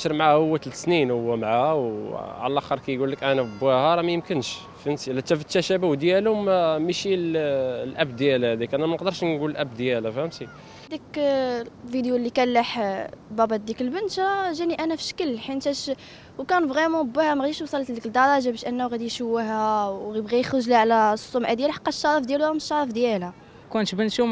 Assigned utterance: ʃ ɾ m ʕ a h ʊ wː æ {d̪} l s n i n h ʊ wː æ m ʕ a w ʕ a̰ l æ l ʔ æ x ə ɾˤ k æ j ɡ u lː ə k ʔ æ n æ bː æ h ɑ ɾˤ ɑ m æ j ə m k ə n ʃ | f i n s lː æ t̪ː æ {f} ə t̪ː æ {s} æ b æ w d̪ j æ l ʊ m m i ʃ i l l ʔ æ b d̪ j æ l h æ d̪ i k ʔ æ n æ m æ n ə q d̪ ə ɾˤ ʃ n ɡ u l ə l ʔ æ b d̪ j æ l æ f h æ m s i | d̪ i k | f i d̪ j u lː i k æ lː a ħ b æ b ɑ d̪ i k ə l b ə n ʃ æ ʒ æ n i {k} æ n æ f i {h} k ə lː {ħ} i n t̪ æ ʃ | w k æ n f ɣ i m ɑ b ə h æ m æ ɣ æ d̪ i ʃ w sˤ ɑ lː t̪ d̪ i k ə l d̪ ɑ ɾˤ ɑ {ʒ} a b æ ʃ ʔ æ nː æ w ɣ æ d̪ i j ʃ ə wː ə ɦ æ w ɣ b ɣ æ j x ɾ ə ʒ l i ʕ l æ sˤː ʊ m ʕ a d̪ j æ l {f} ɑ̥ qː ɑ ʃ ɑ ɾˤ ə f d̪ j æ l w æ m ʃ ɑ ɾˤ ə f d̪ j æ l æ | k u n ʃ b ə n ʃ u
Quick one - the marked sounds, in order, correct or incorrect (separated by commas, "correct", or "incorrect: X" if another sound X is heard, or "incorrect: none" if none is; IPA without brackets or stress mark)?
incorrect: t̪, correct, incorrect: ʃ, incorrect: ʔ, incorrect: ʃ, correct, correct, incorrect: ħ